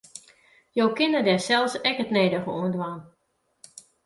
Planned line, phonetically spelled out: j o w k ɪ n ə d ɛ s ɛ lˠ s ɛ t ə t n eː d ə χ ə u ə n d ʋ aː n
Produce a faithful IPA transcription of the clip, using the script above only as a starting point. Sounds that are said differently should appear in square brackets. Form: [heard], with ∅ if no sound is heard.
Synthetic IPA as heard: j o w k ɪ n ə d ɛ s ɛ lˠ s ɛ [k] ə t n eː d ə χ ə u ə n d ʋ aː n

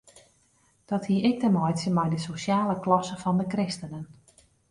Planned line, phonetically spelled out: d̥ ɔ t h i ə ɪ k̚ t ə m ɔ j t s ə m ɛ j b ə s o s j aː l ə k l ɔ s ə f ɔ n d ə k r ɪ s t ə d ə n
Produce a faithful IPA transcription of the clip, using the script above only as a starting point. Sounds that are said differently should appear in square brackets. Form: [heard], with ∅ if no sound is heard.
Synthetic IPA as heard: d̥ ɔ t h i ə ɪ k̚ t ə m ɔ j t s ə m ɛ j [d] ə s o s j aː l ə k l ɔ s ə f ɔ n d ə k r ɪ s t ə [n] ə n

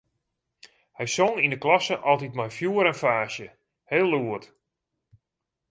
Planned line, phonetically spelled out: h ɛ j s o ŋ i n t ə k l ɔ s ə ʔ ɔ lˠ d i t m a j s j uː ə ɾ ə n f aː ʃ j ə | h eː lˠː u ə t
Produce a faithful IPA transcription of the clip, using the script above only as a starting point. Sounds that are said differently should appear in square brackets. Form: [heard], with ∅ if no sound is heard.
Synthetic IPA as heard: h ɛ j s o ŋ i n [d] ə k l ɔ s ə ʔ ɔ lˠ [t] i t m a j [f] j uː ə ɾ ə n f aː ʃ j ə | h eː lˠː u ə t

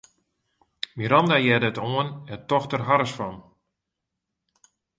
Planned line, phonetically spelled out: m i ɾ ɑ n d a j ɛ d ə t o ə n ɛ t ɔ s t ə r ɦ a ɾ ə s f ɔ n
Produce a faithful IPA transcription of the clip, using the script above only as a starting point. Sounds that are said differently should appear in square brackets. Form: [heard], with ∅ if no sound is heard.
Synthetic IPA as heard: m i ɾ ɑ n d a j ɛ d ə t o ə n ɛ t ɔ [x] t ə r ɦ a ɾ ə s f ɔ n

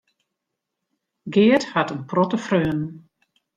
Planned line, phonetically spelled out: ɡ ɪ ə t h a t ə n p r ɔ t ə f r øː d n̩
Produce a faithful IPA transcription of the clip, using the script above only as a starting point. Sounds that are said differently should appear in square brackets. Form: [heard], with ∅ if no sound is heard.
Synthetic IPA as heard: ɡ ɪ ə t h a t ə n p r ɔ t ə f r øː [n] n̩

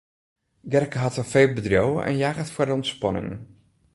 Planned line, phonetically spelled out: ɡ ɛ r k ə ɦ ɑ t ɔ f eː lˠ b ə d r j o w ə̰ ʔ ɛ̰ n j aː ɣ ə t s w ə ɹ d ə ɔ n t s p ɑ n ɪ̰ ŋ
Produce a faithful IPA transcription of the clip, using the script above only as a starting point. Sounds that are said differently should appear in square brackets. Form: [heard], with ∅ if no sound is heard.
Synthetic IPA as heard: ɡ ɛ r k ə ɦ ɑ t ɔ f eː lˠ b ə d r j o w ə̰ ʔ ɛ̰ n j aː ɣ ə t [f] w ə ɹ d ə ɔ n t s p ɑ n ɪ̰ ŋ

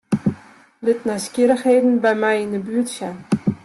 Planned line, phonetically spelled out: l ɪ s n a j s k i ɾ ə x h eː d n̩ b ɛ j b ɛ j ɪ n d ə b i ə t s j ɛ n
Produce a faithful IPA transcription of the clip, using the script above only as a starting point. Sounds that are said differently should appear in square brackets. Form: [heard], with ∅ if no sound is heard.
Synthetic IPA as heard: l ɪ [t] n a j s k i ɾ ə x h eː d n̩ b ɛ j [m] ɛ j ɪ n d ə b [y] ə t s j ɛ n

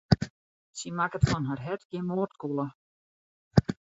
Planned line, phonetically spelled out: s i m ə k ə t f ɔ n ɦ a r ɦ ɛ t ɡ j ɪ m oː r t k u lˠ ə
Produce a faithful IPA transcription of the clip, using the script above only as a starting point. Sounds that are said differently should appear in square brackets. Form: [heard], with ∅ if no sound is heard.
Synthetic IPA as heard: s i m [a] k ə t f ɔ n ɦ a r ɦ ɛ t ɡ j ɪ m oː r t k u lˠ ə

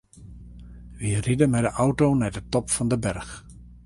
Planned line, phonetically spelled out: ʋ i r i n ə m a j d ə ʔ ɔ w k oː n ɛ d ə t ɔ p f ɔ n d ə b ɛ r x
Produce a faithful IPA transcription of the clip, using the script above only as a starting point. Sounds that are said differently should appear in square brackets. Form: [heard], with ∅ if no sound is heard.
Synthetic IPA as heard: ʋ i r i [d] ə m [ɛ] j d ə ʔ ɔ w [t] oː n ɛ d ə t ɔ p f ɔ n d ə b ɛ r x

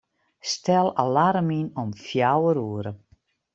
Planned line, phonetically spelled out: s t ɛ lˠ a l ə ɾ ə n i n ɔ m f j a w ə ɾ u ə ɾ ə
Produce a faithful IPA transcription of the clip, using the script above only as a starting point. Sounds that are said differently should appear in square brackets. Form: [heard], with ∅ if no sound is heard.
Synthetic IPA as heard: s t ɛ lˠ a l [a] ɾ ə [m] i n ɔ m f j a w ə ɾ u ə ɾ ə

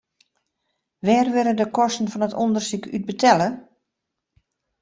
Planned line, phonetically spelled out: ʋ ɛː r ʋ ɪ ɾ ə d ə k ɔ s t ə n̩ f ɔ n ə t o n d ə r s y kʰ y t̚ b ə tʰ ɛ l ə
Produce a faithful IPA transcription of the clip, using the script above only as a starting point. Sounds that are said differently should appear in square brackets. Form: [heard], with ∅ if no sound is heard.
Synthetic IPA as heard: ʋ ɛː r ʋ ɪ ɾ ə d ə k ɔ s t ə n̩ f ɔ n ə t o n d ə r s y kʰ y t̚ b ə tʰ ɛ l ə

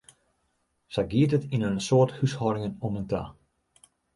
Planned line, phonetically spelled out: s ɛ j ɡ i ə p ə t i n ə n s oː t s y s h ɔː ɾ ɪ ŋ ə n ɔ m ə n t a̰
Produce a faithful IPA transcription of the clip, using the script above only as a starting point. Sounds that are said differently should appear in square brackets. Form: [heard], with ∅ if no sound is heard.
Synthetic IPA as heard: s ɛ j ɡ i ə [t] ə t i n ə n s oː t [h] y s h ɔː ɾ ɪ ŋ ə n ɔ m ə n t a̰

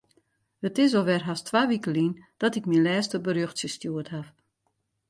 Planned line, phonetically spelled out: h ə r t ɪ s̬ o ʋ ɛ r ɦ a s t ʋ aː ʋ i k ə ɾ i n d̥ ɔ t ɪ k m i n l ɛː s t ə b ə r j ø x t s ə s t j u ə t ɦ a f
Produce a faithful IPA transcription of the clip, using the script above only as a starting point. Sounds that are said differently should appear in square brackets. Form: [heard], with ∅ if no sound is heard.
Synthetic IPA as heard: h ə [∅] t ɪ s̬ o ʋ ɛ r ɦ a s t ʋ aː ʋ i k ə [l] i n d̥ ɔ t ɪ k m i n l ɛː s t ə b ə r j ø x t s ə s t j u ə t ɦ a f

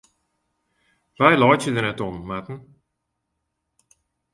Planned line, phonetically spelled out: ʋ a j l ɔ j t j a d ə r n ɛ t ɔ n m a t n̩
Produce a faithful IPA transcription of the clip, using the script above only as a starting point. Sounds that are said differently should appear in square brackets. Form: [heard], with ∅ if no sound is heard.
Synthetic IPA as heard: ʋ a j l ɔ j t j [ə] d ə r n ɛ t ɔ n m a t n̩

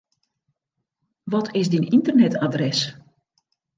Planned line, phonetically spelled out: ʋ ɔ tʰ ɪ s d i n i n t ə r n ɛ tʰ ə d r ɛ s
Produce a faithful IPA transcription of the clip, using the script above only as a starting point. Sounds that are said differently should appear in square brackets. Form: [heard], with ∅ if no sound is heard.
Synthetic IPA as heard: ʋ ɔ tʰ ɪ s d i n i n t ə r n ɛ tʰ [a] d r ɛ s

